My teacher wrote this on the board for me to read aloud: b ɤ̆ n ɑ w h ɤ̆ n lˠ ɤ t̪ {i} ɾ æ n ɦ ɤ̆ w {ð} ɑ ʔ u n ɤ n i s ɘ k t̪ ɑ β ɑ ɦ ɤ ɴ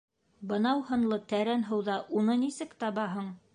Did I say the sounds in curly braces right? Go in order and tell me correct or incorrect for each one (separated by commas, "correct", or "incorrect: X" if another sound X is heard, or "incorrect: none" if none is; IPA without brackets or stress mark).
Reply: incorrect: æ, correct